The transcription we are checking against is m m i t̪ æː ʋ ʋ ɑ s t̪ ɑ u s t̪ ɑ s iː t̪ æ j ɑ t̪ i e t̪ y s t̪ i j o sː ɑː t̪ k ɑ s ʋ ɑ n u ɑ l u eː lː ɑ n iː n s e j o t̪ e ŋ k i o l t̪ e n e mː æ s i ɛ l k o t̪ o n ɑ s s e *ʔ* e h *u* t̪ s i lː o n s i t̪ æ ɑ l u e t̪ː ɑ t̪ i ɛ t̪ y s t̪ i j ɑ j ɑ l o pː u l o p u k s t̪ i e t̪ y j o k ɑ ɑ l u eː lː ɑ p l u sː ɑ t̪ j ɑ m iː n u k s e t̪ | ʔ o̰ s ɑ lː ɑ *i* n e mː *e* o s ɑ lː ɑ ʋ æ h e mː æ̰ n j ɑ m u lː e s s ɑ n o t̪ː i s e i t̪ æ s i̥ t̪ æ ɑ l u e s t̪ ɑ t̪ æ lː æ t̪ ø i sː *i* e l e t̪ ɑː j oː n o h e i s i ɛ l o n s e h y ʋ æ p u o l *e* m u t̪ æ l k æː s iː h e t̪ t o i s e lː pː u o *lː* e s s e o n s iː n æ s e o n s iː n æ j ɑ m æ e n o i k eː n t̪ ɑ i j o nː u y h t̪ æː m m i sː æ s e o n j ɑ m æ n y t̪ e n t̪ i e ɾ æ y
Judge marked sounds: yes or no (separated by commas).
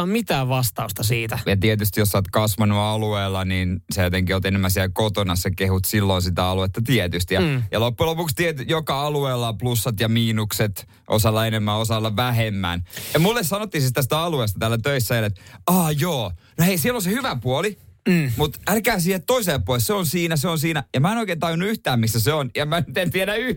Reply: no, yes, no, no, no, no, no